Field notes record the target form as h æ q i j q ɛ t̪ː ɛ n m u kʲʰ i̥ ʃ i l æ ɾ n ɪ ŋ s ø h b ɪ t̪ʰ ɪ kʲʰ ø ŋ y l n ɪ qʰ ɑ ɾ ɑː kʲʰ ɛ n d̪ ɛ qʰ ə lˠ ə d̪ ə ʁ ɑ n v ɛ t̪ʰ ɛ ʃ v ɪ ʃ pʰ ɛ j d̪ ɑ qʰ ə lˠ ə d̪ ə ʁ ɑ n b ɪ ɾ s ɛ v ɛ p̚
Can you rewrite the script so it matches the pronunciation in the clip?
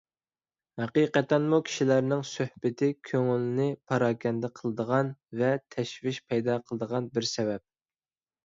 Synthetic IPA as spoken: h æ q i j q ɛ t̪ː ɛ n m u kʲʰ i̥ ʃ i l æ ɾ n ɪ ŋ s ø h b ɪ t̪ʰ ɪ kʲʰ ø ŋ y l n ɪ pʰ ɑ ɾ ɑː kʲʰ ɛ n d̪ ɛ qʰ ə lˠ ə d̪ ə ʁ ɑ n v ɛ t̪ʰ ɛ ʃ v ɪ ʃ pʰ ɛ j d̪ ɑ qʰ ə lˠ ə d̪ ə ʁ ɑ n b ɪ ɾ s ɛ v ɛ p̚